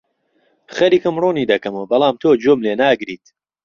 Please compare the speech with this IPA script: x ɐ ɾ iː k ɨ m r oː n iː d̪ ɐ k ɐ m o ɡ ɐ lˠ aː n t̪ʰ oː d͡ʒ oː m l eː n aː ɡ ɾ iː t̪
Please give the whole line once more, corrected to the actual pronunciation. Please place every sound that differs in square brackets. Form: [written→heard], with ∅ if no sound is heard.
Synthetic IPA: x ɐ ɾ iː k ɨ m r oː n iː d̪ ɐ k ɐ m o [ɡ→b] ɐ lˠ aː [n→m] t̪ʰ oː d͡ʒ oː m l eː n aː ɡ ɾ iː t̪